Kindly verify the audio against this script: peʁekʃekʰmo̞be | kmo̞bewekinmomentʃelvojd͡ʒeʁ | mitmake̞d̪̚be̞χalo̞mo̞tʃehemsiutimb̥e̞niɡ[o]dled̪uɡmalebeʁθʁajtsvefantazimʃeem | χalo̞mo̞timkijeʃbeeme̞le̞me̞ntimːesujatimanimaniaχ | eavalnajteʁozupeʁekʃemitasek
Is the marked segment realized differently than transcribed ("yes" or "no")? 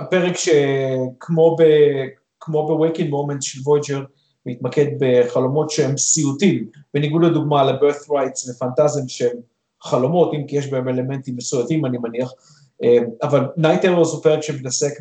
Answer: yes